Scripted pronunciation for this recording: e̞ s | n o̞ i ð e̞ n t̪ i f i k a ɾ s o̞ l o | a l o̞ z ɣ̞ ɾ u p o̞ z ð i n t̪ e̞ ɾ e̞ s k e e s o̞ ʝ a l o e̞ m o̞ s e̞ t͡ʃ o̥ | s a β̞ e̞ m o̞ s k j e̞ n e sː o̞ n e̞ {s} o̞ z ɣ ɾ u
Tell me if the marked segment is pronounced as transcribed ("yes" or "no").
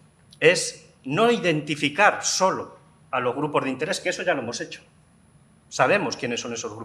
yes